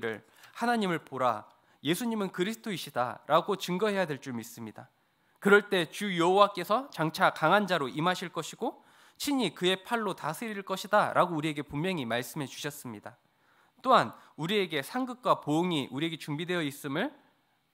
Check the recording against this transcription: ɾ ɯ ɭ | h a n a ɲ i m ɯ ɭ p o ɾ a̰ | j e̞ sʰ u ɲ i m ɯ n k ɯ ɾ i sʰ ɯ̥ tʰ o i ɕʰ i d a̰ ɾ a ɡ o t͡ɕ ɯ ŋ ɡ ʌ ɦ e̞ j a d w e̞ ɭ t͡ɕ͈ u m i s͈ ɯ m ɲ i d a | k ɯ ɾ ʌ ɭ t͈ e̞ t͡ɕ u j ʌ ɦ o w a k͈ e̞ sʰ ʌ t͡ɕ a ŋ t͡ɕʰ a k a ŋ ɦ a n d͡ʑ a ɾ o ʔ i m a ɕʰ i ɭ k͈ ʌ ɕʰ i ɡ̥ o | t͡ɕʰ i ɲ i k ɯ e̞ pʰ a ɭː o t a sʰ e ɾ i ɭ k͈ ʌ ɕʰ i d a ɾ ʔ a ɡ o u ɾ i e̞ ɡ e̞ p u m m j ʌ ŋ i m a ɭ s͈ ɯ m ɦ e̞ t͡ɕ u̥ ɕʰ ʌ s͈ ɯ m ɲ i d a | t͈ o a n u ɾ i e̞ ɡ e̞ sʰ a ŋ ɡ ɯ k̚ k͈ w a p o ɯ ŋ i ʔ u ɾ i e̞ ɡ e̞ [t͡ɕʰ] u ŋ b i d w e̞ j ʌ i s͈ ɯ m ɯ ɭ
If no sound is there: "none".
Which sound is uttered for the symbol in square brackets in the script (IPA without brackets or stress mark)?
t͡ɕ